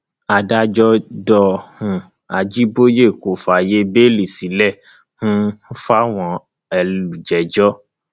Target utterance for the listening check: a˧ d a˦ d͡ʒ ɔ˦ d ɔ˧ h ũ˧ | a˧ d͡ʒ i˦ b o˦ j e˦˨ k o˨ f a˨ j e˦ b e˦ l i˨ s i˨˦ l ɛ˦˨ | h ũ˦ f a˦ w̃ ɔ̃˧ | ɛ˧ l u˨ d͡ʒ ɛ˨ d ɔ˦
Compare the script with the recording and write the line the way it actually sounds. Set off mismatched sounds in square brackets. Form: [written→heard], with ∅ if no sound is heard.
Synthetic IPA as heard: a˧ d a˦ d͡ʒ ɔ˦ d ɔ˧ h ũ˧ | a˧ d͡ʒ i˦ b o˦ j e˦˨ k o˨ f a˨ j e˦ b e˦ l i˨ s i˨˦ l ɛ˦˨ | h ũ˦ f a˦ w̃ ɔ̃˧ | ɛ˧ l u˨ d͡ʒ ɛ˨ [d→d͡ʒ] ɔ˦